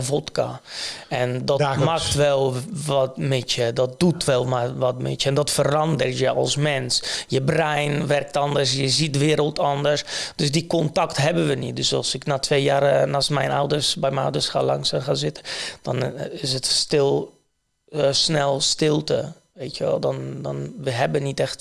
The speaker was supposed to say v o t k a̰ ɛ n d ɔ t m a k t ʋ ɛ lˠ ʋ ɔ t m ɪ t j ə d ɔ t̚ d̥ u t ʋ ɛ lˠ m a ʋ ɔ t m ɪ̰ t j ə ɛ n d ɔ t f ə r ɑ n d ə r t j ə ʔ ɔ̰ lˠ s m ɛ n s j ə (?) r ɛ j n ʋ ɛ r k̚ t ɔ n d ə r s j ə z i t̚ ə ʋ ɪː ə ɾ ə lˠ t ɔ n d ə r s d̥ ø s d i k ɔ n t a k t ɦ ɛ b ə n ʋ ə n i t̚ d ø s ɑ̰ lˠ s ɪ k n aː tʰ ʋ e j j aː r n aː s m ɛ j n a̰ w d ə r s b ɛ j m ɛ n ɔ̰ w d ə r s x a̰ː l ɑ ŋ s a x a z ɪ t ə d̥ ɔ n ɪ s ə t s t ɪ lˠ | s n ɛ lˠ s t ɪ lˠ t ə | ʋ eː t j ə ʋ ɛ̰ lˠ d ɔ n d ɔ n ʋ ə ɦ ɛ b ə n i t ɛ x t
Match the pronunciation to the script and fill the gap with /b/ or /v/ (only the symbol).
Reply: b